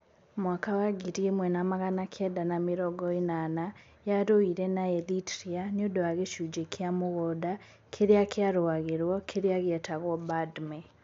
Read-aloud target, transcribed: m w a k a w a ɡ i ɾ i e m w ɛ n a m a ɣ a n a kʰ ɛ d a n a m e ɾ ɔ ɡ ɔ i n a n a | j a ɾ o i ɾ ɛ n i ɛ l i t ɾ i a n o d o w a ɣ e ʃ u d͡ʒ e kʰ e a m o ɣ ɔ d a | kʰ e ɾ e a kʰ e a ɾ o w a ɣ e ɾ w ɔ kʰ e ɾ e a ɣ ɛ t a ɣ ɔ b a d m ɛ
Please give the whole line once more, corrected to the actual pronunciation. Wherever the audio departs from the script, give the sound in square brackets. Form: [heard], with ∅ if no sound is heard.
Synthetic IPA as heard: m w a k a w a ɡ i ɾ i e m w ɛ n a m a ɣ a n a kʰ ɛ d a n a m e ɾ ɔ ɡ ɔ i n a n a | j a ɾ o i ɾ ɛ n [a] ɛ l i t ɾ i a n o d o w a ɣ e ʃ u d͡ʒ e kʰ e a m o ɣ ɔ d a | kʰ e ɾ e a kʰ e a ɾ o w a ɣ e ɾ w ɔ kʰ e ɾ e a ɣ ɛ t a ɣ ɔ b a d m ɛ